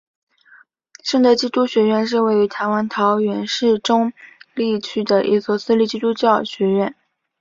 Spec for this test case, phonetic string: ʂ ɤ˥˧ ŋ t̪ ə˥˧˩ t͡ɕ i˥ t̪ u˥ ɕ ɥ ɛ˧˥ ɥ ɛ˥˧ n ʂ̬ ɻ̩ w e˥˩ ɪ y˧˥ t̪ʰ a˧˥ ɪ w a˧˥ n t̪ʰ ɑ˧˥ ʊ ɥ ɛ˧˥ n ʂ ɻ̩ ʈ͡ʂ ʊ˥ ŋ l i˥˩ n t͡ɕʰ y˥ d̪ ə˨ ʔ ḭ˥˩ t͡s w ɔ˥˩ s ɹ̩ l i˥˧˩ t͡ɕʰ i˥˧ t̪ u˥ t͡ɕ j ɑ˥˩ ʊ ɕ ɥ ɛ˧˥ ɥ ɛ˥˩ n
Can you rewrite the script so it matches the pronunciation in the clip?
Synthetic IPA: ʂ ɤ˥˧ ŋ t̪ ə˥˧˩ t͡ɕ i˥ t̪ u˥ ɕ ɥ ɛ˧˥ ɥ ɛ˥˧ n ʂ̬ ɻ̩ w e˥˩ ɪ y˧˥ t̪ʰ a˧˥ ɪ w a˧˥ n t̪ʰ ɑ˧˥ ʊ ɥ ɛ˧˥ n ʂ ɻ̩ ʈ͡ʂ ʊ˥ ŋ l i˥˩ t͡ɕʰ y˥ d̪ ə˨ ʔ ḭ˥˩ t͡s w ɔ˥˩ s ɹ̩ l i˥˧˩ t͡ɕ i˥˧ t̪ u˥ t͡ɕ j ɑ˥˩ ʊ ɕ ɥ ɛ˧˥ ɥ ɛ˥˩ n